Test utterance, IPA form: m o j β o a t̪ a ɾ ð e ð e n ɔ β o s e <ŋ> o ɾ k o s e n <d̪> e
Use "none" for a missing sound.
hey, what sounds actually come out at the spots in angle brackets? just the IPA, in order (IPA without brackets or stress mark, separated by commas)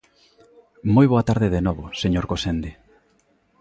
ɲ, d̪